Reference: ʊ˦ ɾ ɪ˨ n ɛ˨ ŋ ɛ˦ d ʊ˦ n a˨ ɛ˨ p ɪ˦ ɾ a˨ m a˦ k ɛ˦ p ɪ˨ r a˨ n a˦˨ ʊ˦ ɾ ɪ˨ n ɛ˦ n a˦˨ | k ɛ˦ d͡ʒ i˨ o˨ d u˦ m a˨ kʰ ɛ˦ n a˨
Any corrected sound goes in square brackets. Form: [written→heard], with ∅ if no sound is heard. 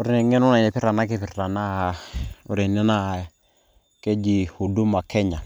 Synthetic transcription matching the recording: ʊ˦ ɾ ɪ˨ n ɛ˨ ŋ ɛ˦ [d→n] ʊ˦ n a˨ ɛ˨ p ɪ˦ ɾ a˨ [m→n] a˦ k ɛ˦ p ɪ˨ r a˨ n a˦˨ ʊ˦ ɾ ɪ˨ n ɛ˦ n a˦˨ | k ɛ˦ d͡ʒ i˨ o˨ d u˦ m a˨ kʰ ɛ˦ [n→ɲ] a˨